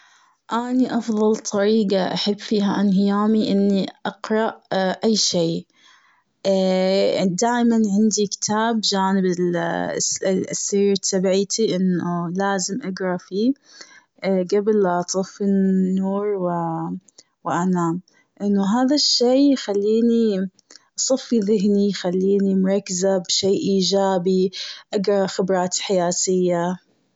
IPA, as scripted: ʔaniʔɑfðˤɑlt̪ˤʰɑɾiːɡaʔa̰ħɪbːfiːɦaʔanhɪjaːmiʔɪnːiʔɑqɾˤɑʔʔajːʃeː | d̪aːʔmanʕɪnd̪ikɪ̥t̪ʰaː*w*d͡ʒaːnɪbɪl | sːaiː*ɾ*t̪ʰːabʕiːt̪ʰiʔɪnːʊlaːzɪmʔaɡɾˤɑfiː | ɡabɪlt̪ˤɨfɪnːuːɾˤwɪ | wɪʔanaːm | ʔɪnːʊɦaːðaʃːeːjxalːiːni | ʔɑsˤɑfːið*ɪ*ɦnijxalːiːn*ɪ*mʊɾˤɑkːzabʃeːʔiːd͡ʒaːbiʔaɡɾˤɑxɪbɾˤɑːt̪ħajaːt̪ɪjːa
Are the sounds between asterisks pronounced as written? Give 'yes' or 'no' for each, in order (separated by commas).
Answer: no, yes, yes, no